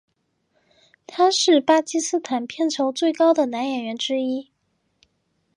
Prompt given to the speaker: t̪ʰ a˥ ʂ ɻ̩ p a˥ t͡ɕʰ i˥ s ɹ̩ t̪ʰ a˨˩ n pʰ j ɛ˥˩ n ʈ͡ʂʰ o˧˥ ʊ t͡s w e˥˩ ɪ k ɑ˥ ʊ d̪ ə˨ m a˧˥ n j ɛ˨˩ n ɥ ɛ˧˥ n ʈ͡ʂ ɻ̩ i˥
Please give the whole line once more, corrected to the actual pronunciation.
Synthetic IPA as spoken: t̪ʰ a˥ ʂ ɻ̩ p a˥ t͡ɕ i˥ s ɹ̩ t̪ʰ a˨˩ n pʰ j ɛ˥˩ n ʈ͡ʂʰ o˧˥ ʊ t͡s w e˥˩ ɪ k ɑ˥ ʊ d̪ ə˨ n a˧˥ n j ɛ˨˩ n ɥ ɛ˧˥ n ʈ͡ʂ ɻ̩ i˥

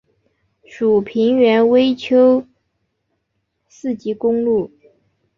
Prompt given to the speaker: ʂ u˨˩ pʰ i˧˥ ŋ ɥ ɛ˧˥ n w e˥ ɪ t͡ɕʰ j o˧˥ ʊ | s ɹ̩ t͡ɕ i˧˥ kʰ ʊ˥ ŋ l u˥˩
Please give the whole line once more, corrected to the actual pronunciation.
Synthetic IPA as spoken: ʂ u˨˩ pʰ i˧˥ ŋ ɥ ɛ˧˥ n w e˥ ɪ t͡ɕʰ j o˥ ʊ | s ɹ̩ t͡ɕ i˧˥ k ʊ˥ ŋ l u˥˩

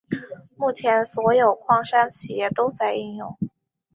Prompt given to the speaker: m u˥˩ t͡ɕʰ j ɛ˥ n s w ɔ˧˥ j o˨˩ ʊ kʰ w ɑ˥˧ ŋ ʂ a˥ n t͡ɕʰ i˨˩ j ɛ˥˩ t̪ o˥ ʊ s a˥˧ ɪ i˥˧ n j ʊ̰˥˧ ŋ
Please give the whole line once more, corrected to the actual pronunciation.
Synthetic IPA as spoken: m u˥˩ t͡ɕʰ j ɛ˧˥ n s w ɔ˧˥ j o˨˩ ʊ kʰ w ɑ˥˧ ŋ ʂ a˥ n t͡ɕʰ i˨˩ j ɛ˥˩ t̪ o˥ ʊ t͡s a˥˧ ɪ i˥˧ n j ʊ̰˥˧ ŋ

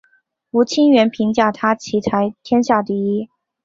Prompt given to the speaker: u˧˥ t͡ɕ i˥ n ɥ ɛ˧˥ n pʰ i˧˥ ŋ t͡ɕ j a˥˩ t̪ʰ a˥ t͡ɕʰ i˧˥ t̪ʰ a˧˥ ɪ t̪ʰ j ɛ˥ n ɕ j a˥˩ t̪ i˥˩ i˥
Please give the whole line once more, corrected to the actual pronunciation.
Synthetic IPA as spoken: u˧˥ t͡ɕʰ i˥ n ɥ ɛ˧˥ n pʰ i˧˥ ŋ t͡ɕ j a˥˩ t̪ʰ a˥ t͡ɕʰ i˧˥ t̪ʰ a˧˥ ɪ t̪ʰ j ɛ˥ n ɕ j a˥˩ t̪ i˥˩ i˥

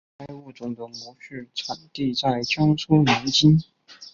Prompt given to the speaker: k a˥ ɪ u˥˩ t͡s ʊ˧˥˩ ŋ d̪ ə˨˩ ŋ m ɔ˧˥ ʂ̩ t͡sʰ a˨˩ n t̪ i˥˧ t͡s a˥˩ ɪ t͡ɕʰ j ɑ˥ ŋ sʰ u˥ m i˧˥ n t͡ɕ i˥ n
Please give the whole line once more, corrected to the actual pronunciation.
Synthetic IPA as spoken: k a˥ ɪ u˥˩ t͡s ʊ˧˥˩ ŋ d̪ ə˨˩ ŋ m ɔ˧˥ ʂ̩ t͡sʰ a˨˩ n t̪ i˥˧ t͡s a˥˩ ɪ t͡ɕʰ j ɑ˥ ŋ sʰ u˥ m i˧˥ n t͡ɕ i˥ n

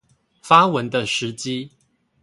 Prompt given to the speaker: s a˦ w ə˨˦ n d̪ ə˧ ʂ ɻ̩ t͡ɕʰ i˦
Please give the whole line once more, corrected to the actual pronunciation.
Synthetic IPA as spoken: f a˦ w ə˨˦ n d̪ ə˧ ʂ ɻ̩ t͡ɕ i˦

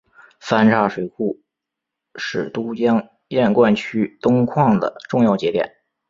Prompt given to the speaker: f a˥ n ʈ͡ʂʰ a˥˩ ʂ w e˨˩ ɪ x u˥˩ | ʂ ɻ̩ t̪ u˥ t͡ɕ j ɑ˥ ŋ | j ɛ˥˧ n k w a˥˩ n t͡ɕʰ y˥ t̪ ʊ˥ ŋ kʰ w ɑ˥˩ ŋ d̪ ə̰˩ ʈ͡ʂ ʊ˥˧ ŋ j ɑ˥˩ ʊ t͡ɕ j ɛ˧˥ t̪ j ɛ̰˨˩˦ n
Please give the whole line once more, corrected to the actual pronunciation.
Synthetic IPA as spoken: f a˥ n ʈ͡ʂʰ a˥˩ ʂ w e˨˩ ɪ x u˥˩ | ʂ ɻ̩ t̪ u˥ t͡ɕ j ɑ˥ ŋ | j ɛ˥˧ n k w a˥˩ n t͡ɕʰ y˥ t̪ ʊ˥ ŋ kʰ w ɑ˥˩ ŋ d̪ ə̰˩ ʈ͡ʂ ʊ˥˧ ŋ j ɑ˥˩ ʊ t͡ɕ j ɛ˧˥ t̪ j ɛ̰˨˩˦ n

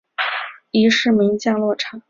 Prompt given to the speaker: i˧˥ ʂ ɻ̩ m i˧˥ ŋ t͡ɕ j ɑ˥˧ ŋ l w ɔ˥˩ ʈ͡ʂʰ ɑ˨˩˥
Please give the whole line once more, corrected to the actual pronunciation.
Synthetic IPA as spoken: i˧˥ ʂ ɻ̩ m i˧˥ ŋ t͡ɕ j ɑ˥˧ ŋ l w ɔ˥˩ ʈ͡ʂʰ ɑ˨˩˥

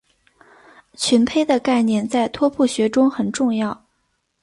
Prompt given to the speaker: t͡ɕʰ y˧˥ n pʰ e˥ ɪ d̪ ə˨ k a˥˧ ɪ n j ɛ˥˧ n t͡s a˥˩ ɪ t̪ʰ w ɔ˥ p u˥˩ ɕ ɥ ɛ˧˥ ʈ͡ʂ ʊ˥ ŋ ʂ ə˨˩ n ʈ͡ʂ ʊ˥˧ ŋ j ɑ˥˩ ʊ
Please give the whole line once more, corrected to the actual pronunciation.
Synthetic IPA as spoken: t͡ɕʰ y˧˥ n pʰ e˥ ɪ d̪ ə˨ k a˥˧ ɪ n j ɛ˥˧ n t͡s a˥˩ ɪ t̪ʰ w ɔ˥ pʰ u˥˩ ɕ ɥ ɛ˧˥ ʈ͡ʂ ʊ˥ ŋ x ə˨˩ n ʈ͡ʂ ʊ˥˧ ŋ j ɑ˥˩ ʊ

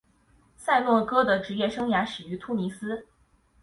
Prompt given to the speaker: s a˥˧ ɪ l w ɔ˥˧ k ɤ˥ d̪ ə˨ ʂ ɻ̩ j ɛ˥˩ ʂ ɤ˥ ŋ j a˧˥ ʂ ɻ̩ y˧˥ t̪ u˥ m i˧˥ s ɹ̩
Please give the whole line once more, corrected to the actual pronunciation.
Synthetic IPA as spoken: s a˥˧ ɪ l w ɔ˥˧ k ɤ˥ d̪ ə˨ ʈ͡ʂ ɻ̩ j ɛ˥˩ ʂ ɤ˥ ŋ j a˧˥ ʂ ɻ̩ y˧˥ t̪ʰ u˥ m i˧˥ s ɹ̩

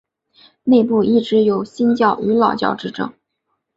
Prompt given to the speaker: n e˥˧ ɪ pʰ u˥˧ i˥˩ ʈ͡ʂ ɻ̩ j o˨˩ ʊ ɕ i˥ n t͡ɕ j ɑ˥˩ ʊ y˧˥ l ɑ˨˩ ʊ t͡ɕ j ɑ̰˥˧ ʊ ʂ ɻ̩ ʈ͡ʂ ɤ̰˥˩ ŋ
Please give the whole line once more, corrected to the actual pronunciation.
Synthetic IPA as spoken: n e˥˧ ɪ p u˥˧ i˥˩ ʈ͡ʂ ɻ̩ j o˨˩ ʊ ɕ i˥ n t͡ɕ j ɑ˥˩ ʊ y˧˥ l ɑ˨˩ ʊ t͡ɕ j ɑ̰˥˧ ʊ ʈ͡ʂ ɻ̩ ʈ͡ʂ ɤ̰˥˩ ŋ

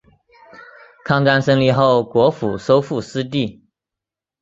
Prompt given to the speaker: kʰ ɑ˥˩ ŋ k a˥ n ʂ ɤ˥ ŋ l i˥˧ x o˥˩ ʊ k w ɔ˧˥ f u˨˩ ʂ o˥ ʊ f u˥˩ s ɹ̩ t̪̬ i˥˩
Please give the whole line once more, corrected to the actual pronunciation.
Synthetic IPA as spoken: kʰ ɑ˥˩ ŋ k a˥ n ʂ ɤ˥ ŋ l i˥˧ x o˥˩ ʊ k w ɔ˧˥ f u˨˩ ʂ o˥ ʊ f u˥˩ s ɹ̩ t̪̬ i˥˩

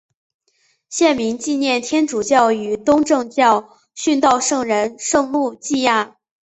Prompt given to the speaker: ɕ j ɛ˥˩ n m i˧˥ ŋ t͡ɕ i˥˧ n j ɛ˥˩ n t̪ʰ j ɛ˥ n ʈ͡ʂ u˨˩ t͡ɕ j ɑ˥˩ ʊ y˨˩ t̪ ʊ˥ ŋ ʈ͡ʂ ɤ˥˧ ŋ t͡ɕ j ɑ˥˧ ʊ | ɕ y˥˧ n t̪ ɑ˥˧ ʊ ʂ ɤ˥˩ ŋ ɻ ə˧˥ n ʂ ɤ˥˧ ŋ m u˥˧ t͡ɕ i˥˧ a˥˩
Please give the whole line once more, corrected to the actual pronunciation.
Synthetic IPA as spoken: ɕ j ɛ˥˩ n m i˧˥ ŋ t͡ɕ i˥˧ n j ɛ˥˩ n t̪ʰ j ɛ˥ n ʈ͡ʂ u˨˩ t͡ɕ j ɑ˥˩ ʊ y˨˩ t̪ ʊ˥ ŋ ʈ͡ʂ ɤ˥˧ ŋ t͡ɕ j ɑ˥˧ ʊ | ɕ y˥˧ n t̪ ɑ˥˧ ʊ ʂ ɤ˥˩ ŋ ɻ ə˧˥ n ʂ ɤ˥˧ ŋ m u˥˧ t͡ɕ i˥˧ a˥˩

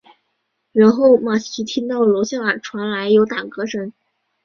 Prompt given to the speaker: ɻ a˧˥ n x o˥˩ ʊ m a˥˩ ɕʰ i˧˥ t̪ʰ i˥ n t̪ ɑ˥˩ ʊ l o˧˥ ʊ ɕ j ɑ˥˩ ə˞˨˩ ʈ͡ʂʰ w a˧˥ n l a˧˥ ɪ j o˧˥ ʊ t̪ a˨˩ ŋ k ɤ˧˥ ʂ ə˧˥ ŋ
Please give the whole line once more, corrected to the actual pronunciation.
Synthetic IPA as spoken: ɻ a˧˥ n x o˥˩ ʊ m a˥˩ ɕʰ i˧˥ t̪ʰ i˥ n t̪ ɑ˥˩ ʊ l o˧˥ ʊ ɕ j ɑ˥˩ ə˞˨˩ ʈ͡ʂʰ w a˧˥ n l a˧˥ ɪ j o˧˥ ʊ t̪ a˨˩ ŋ k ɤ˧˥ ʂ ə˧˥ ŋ

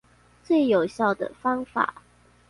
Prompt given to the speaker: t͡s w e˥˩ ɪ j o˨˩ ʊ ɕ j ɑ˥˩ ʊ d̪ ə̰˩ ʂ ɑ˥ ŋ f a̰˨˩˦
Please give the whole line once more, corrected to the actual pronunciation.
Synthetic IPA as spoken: t͡s w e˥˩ ɪ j o˨˩ ʊ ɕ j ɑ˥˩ ʊ d̪ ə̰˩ f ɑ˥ ŋ f a̰˨˩˦

